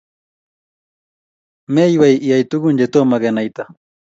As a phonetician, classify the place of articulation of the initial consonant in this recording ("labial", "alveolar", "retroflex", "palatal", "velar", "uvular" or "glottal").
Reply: labial